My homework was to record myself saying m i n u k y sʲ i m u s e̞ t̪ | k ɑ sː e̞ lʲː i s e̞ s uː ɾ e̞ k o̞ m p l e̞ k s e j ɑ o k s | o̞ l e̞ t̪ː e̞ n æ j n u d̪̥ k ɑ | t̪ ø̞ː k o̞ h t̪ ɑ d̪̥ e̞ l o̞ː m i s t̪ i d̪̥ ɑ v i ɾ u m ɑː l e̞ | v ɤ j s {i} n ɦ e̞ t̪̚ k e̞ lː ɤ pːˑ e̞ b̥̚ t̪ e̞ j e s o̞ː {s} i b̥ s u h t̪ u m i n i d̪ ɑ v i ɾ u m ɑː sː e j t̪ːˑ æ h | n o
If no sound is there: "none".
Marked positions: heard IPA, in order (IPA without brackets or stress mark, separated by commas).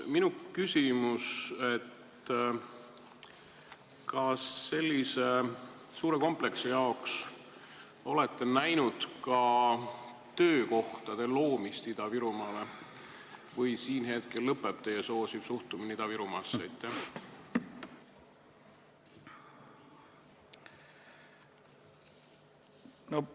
iː, s